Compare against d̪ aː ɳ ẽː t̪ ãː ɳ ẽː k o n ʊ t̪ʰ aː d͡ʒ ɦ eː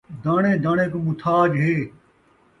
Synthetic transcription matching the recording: d̪ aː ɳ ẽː d̪ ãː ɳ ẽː k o m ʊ t̪ʰ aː d͡ʒ ɦ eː